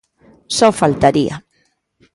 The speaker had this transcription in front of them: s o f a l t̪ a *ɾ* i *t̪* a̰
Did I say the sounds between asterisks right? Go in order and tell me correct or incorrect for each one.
correct, incorrect: none

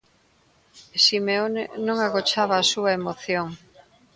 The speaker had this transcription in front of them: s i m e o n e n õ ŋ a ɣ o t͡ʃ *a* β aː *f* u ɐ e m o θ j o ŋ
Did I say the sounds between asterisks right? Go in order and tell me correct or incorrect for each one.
correct, incorrect: s

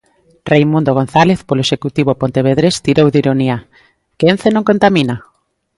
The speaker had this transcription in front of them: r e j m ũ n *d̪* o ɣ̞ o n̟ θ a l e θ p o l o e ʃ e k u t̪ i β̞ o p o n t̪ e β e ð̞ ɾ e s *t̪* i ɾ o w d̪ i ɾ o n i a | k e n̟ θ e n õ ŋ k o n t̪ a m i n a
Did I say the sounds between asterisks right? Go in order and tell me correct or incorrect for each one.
correct, correct

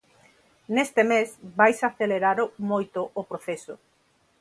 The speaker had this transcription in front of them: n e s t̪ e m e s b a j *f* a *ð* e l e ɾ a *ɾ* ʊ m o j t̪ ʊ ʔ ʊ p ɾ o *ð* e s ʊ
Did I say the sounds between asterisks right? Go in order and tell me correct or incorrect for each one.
incorrect: s, incorrect: θ, correct, incorrect: θ

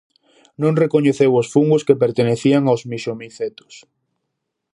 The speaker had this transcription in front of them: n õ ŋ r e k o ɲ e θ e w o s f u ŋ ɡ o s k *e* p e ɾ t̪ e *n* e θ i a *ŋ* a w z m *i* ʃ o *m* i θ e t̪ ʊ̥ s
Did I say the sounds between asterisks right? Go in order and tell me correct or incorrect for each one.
correct, correct, correct, correct, correct

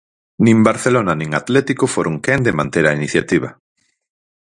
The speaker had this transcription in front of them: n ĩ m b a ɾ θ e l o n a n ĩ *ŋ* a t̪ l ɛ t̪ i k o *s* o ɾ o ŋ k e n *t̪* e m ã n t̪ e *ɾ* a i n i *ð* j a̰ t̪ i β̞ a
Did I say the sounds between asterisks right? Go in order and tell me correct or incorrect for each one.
correct, incorrect: f, incorrect: d̪, correct, incorrect: θ

